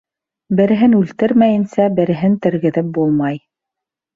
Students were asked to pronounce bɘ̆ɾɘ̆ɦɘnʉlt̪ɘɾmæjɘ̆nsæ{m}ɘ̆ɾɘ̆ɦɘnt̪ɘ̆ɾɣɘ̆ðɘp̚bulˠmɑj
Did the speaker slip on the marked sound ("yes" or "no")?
yes